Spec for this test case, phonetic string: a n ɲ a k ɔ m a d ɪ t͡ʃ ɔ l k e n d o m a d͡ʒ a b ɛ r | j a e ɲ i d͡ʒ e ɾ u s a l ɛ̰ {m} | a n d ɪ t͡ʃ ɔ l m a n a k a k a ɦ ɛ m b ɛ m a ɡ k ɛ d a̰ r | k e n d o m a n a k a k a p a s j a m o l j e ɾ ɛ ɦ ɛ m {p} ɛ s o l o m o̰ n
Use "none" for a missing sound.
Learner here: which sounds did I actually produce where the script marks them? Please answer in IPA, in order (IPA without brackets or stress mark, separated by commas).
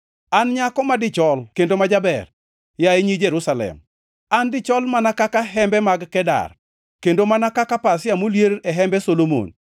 m, b